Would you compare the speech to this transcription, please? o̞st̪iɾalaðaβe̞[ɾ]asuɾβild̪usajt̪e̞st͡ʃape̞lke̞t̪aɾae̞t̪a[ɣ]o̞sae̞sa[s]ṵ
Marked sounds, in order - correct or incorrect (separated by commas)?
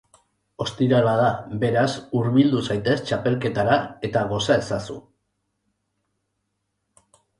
correct, correct, correct